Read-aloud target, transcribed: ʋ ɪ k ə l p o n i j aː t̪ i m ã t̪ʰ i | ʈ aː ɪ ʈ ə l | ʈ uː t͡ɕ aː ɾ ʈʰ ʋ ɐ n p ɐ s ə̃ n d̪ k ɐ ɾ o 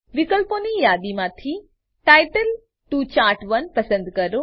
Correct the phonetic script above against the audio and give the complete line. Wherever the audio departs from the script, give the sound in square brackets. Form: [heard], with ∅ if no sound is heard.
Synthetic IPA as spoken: ʋ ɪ k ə l p o n i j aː [d̪] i m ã t̪ʰ i | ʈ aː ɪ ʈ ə l | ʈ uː t͡ɕ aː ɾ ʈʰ ʋ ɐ n p ɐ s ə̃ n d̪ k ɐ ɾ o